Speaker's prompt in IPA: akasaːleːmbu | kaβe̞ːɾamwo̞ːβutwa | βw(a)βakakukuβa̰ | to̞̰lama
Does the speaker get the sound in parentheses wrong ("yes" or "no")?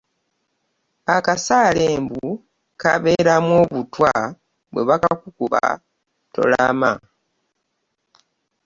yes